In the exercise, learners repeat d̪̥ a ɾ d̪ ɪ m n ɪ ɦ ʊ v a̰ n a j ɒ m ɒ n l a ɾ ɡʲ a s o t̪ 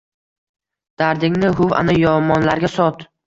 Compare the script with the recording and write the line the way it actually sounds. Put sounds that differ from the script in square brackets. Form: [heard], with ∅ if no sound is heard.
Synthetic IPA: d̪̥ a ɾ d̪ ɪ [ŋ] n ɪ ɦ ʊ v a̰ n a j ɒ m ɒ n l a ɾ ɡʲ a s [ɒ] t̪